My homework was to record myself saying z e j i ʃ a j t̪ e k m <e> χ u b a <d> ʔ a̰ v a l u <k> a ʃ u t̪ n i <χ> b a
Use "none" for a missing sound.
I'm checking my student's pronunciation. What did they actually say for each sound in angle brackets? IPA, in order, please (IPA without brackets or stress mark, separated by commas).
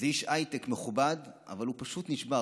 e, d, p, ʃ